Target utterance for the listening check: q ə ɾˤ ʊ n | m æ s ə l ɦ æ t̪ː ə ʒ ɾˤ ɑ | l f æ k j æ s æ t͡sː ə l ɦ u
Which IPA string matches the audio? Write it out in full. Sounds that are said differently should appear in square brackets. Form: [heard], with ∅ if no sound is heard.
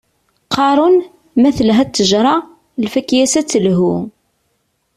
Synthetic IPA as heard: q [ɑ] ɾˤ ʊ n | m æ [θ] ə l ɦ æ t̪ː ə ʒ ɾˤ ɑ | l f æ k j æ s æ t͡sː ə l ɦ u